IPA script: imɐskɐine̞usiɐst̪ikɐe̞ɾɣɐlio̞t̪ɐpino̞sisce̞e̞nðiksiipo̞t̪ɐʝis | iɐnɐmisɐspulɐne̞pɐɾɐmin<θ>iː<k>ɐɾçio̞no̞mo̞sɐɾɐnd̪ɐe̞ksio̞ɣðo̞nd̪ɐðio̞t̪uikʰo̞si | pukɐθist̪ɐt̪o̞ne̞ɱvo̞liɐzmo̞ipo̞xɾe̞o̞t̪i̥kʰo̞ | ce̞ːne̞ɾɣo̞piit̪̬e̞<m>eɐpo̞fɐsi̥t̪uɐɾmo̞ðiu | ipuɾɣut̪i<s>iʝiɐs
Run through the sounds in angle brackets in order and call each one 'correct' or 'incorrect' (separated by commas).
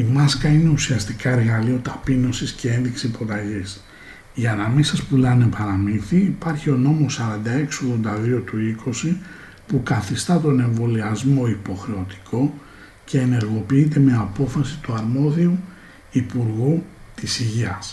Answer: correct, incorrect, correct, correct